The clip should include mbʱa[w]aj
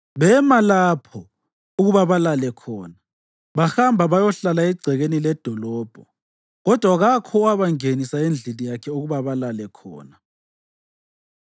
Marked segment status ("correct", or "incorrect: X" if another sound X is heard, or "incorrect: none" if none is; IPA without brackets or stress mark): incorrect: β